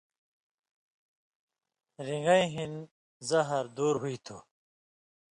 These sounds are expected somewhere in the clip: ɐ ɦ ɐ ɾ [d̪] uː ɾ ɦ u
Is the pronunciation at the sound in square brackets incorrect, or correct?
correct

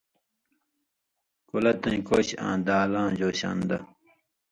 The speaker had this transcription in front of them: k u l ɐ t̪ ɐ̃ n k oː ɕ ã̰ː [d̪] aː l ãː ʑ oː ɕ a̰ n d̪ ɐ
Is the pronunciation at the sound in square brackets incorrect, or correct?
correct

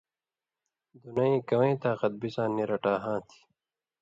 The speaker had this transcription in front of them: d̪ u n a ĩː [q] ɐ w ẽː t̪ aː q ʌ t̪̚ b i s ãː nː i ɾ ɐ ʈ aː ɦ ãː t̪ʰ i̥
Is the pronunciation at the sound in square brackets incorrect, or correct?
incorrect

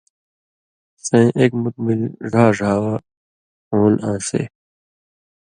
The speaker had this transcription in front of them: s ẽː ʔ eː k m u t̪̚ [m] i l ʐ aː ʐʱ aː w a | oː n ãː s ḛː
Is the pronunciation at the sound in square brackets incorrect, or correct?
correct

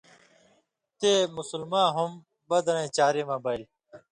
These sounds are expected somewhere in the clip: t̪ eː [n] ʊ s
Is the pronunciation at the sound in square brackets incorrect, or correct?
incorrect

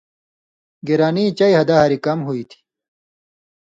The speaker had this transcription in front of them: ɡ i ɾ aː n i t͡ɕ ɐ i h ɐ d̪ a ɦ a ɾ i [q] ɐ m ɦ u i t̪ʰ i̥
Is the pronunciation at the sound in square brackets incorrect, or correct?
incorrect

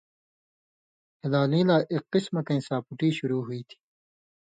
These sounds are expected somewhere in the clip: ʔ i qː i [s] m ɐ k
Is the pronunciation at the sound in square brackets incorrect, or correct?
correct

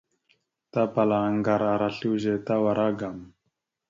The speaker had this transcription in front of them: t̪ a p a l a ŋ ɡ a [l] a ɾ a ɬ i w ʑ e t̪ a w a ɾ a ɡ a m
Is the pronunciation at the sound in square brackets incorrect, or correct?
incorrect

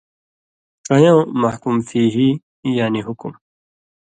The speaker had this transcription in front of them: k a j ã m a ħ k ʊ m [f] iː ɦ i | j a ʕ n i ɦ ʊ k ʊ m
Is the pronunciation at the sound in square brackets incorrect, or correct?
correct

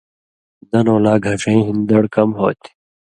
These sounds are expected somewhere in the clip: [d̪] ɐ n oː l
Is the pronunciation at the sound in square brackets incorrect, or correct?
correct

